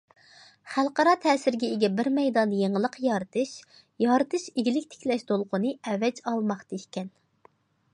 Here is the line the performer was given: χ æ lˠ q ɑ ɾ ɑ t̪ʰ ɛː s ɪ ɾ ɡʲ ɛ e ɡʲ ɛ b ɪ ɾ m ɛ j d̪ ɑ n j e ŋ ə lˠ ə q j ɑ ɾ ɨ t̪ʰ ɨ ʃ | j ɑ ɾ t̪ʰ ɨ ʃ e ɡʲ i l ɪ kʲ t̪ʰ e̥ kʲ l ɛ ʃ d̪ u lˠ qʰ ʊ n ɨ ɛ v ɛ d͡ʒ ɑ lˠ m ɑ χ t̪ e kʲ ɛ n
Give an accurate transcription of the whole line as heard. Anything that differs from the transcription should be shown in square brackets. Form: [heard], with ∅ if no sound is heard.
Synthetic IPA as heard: χ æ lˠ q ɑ ɾ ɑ t̪ʰ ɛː s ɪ ɾ ɡʲ ɛ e ɡʲ ɛ b ɪ ɾ m ɛ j d̪ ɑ n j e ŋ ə lˠ ə q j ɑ ɾ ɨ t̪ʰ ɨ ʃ | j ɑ ɾ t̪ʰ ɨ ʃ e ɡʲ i l ɪ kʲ t̪ʰ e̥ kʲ l ɛ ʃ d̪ [o] lˠ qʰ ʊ n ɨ ɛ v ɛ d͡ʒ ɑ lˠ m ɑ χ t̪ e kʲ ɛ n